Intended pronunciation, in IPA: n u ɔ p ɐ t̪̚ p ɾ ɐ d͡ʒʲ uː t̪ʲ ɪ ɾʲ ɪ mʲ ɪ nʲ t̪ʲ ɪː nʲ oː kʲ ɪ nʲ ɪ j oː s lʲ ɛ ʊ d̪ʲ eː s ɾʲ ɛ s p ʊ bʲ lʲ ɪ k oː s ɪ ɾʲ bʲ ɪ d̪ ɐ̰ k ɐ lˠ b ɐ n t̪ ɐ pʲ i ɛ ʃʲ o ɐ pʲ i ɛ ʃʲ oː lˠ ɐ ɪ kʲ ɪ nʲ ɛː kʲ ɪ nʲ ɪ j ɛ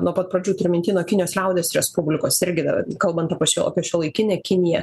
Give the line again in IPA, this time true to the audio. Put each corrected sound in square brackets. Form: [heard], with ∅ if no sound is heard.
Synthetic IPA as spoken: n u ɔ p ɐ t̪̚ p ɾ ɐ d͡ʒʲ uː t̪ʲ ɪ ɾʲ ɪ mʲ ɪ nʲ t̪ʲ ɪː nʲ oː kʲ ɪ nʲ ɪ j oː s lʲ ɛ ʊ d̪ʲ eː s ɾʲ ɛ s p ʊ bʲ lʲ ɪ k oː s ɪ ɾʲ [ɡʲ] ɪ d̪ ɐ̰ k ɐ lˠ b ɐ n t̪ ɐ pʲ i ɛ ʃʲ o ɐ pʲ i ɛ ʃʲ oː lˠ ɐ ɪ kʲ ɪ nʲ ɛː kʲ ɪ nʲ ɪ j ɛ